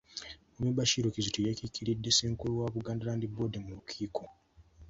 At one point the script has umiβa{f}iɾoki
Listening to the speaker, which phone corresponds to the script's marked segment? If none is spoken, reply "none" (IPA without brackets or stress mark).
ʃ